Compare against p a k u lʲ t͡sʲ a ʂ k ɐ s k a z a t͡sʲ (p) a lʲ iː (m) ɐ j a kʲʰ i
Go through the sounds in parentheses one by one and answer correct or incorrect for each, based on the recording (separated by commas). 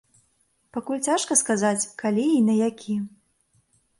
incorrect, incorrect